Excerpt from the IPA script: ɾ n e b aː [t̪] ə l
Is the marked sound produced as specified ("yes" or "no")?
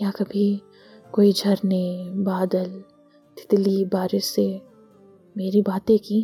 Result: no